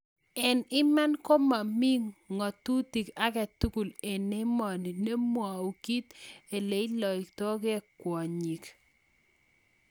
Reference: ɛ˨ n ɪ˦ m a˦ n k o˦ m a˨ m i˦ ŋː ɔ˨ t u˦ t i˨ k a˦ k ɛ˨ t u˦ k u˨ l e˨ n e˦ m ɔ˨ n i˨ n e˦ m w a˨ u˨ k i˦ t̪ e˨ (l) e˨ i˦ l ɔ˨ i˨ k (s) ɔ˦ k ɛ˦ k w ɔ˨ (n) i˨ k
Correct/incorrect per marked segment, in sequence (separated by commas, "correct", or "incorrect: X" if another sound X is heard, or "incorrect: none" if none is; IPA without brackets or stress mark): correct, incorrect: t, incorrect: ɲ